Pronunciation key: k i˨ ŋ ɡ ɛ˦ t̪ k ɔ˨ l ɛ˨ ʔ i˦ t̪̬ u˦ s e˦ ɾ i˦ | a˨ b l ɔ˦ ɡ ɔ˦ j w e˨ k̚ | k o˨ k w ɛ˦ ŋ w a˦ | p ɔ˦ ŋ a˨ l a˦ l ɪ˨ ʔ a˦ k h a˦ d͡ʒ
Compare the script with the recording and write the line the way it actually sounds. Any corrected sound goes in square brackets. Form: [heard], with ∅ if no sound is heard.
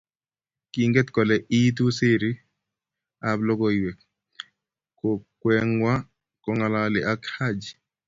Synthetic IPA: k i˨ ŋ ɡ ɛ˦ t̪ k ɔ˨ l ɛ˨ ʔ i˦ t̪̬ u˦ s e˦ ɾ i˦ | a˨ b l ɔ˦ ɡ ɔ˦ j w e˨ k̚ | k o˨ k w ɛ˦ ŋ w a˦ | [k] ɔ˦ ŋ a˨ l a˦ l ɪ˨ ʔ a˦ k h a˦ d͡ʒ